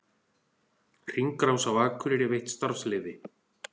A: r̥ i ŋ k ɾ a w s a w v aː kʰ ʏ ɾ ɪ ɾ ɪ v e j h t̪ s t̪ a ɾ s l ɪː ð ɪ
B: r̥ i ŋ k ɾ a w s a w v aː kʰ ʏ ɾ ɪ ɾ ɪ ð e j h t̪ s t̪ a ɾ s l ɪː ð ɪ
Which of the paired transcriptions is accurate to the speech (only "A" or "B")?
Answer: A